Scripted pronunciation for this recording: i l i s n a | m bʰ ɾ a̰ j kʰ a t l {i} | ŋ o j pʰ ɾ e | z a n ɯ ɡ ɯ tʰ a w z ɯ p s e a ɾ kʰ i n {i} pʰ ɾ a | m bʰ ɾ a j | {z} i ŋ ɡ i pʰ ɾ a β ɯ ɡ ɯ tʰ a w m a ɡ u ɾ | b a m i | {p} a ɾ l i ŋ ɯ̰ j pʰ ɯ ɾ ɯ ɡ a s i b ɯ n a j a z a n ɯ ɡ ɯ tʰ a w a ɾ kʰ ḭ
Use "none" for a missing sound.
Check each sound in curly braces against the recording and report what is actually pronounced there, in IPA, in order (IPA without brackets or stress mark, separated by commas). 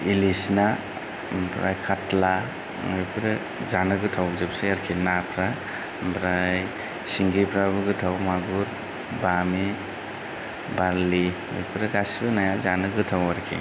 a, a, s, b